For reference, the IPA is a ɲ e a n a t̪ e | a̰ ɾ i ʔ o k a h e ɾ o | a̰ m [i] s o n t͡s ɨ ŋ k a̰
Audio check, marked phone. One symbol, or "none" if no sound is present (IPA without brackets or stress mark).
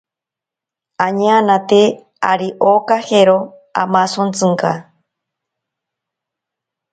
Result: a